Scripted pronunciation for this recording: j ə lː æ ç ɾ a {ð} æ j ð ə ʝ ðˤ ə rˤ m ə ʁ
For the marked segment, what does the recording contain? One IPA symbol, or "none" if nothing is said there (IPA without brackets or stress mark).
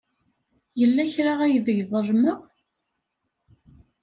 ʁ